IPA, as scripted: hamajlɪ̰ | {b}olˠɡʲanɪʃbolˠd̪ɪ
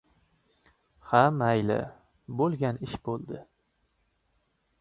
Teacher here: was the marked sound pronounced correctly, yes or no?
yes